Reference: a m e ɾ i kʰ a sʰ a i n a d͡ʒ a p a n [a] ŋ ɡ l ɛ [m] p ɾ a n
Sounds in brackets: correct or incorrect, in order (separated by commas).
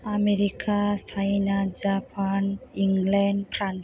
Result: incorrect, incorrect